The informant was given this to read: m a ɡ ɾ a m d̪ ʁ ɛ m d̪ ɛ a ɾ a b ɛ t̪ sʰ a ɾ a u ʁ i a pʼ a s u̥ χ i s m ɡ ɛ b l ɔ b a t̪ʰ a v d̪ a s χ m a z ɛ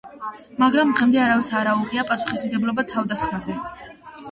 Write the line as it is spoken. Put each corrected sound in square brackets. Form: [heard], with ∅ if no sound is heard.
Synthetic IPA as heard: m a ɡ ɾ a m d̪ ʁ ɛ m d̪ ɛ a ɾ a [v] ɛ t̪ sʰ a ɾ a u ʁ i a pʼ a s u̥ χ i s m ɡ ɛ b l ɔ b a t̪ʰ a v d̪ a s χ m a z ɛ